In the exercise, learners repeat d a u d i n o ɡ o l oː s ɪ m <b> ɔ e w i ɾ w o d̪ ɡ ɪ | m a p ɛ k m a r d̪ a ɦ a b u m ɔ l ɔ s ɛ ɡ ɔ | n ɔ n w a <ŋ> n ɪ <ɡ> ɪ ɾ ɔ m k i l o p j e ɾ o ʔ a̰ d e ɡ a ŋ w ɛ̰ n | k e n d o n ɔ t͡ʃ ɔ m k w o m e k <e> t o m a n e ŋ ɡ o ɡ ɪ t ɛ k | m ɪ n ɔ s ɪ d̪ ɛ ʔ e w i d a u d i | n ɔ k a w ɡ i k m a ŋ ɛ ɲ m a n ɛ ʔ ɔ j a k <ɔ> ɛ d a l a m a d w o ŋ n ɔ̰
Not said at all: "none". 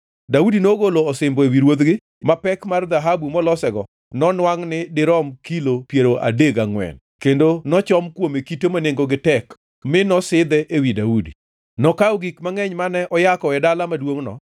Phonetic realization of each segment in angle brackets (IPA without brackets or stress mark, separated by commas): b, ŋ, d, i, ɔ